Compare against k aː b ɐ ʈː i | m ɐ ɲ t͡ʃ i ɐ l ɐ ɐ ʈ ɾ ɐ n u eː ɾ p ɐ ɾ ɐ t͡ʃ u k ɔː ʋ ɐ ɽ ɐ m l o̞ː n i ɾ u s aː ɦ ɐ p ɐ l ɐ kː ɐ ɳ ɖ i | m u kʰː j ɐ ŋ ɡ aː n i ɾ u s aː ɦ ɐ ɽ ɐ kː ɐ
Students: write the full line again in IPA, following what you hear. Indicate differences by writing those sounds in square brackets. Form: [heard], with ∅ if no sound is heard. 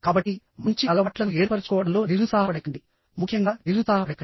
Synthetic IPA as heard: k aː b ɐ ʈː i | m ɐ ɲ t͡ʃ i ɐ l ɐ ɐ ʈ [l] ɐ n u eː ɾ p ɐ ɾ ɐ t͡ʃ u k ɔː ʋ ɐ ɽ ɐ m l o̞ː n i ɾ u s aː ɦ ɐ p ɐ [ɽ] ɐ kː ɐ ɳ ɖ i | m u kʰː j ɐ ŋ ɡ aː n i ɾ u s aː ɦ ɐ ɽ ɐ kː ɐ